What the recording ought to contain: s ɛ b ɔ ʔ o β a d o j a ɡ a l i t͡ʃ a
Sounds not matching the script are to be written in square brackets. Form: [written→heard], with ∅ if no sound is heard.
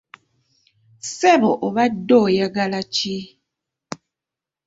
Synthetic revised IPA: s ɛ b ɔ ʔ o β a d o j a ɡ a l [i→a] t͡ʃ [a→i]